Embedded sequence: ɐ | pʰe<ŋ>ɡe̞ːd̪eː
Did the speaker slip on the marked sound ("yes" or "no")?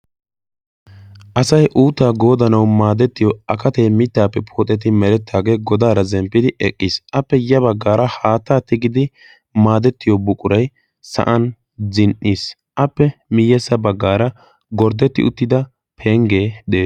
no